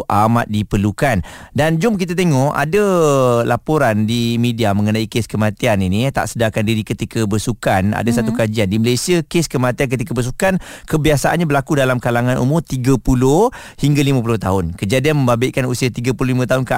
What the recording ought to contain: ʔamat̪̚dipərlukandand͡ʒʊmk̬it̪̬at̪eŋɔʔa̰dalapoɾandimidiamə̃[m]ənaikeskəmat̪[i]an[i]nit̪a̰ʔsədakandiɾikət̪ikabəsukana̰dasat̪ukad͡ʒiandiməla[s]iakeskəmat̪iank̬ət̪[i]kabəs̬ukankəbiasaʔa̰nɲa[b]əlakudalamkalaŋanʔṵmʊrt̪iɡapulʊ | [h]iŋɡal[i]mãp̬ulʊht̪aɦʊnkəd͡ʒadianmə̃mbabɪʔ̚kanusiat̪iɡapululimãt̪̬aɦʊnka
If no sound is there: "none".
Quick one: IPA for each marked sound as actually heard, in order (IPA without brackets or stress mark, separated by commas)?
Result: ŋ, i, i, s, i, b, h, i